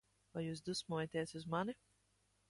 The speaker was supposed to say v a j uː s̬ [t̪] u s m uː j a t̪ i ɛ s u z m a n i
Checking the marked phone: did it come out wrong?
yes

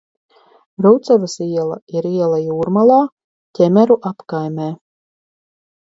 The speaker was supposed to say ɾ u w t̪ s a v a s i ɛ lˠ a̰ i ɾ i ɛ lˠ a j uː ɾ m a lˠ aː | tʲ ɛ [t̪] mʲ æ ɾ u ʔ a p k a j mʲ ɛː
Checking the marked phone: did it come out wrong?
yes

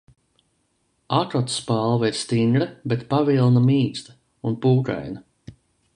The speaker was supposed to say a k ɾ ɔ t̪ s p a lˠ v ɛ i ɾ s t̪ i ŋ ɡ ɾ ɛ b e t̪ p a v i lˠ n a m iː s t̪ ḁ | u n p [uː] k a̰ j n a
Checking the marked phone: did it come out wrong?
no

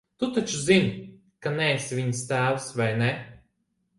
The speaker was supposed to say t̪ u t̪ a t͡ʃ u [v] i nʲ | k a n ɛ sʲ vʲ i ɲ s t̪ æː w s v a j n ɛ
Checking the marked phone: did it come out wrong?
yes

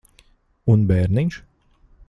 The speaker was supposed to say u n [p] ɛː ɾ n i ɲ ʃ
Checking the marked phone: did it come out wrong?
yes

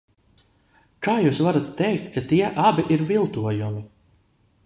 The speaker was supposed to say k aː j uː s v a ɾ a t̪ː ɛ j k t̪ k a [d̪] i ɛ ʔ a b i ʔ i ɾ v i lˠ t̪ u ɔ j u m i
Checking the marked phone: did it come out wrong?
yes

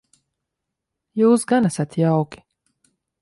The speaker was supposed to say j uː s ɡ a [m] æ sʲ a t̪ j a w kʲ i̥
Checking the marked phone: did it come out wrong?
yes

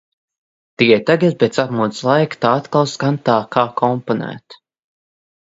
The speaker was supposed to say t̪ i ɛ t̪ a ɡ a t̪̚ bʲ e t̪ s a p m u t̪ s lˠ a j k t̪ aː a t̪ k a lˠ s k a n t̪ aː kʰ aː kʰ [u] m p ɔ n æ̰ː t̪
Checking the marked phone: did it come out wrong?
yes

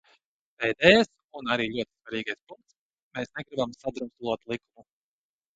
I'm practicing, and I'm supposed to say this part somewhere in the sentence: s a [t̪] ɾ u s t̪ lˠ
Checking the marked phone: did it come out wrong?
yes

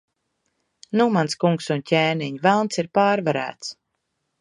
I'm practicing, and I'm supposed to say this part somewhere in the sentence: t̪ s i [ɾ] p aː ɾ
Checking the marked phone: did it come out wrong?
no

